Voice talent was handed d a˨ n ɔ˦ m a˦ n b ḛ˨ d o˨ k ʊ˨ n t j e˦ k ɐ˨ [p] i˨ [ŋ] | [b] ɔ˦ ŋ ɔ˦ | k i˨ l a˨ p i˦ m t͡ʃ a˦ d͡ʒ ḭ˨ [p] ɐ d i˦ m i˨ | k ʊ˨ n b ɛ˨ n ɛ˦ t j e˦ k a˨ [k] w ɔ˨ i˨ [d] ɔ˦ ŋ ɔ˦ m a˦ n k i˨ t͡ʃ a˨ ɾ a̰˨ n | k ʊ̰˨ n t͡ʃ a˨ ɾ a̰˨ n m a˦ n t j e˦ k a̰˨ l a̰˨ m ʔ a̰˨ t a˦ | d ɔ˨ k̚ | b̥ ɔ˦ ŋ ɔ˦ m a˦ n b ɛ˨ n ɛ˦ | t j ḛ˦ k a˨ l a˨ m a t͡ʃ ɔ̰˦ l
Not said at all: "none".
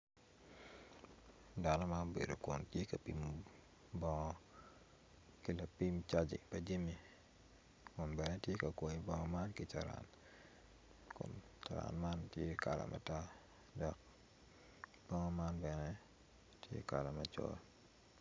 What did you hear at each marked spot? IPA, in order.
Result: p, m, b, p, k, b

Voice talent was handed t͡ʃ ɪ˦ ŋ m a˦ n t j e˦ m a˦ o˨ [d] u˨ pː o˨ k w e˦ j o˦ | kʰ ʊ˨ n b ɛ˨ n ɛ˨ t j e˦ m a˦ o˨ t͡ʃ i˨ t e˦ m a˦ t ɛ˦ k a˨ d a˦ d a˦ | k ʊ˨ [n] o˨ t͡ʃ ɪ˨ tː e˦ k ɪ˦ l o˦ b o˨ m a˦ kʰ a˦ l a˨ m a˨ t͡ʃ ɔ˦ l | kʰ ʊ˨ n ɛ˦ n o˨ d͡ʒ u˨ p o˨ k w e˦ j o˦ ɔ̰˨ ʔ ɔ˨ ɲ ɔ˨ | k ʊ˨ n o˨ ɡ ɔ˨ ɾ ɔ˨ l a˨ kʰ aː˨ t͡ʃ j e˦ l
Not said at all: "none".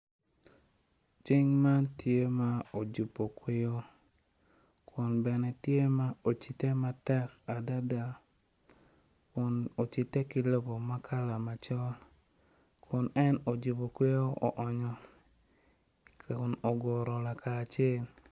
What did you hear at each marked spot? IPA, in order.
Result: d͡ʒ, n

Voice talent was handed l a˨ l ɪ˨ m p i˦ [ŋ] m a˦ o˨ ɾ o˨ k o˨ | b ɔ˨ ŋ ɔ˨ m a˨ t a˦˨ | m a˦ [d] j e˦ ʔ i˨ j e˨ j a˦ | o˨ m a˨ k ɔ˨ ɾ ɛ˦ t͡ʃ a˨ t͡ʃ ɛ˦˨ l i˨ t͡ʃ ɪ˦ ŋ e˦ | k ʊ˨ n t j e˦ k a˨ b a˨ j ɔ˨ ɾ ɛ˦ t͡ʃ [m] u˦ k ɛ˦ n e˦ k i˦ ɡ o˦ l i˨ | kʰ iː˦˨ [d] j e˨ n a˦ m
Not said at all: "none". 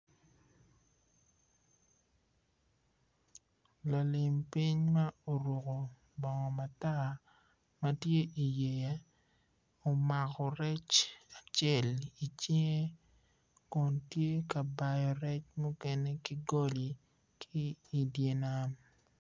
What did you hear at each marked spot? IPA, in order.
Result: ɲ, t, m, d

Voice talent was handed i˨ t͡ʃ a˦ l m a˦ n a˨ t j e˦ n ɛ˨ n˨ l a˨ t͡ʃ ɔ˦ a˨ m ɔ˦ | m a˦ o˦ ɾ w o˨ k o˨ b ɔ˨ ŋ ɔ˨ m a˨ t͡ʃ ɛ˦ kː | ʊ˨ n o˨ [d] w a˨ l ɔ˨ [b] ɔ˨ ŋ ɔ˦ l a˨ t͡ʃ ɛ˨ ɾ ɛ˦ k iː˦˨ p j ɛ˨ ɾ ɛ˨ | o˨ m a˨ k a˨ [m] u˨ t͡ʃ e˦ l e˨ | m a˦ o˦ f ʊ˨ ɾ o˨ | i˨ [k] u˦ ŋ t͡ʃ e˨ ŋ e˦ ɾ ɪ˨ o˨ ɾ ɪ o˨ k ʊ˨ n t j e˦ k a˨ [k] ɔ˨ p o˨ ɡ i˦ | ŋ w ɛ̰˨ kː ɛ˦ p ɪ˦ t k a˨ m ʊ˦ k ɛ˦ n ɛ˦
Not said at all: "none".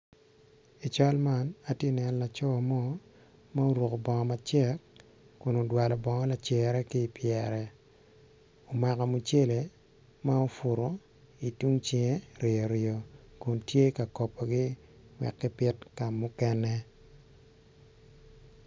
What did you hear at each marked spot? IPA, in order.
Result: d, b, m, t, k

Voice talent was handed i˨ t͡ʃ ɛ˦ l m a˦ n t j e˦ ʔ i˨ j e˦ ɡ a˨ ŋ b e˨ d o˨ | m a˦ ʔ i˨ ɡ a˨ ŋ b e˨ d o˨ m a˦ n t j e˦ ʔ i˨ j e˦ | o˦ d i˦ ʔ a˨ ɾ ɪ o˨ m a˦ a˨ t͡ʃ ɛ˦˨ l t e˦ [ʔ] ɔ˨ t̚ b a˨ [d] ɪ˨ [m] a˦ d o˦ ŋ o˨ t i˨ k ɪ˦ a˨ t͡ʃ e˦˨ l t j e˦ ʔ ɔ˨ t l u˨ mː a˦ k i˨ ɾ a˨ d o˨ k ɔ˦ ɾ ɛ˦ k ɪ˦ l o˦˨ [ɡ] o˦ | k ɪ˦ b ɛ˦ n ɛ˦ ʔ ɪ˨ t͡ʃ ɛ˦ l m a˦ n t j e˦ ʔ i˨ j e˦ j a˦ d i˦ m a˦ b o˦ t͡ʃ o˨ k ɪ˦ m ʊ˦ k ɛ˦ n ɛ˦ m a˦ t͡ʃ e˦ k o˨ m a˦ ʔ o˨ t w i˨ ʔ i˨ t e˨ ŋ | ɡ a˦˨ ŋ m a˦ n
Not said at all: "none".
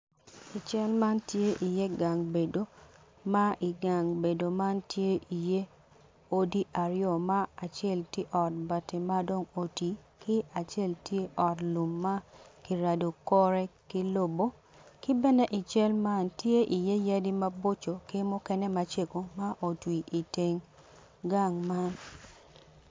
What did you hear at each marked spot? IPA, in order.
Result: ʔ, t, m, b

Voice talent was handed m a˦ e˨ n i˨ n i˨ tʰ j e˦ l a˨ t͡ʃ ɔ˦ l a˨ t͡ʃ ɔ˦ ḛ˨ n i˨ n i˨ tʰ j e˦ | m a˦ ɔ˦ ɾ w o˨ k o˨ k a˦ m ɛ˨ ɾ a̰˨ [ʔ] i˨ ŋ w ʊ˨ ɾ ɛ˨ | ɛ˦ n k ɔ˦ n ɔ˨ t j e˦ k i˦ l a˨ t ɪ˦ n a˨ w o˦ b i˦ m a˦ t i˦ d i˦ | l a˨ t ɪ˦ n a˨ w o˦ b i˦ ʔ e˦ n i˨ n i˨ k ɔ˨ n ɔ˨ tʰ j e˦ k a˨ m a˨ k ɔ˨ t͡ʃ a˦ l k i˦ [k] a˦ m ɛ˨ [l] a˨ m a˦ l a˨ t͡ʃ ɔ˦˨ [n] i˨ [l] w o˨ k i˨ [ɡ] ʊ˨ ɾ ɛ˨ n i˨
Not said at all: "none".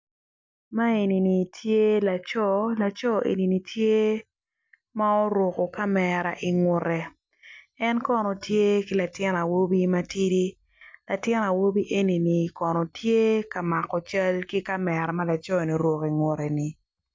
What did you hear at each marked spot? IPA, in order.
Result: ʔ, k, ɾ, n, ɾ, ŋ

